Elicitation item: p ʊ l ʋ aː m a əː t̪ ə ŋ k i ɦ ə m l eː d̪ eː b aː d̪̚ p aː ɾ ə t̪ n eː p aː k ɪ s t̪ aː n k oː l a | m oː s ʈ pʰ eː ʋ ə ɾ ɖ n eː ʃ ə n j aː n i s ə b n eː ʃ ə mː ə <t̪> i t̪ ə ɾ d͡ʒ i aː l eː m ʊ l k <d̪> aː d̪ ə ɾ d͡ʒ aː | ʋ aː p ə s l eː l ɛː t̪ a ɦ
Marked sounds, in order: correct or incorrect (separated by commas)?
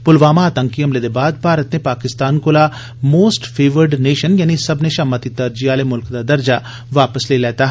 correct, correct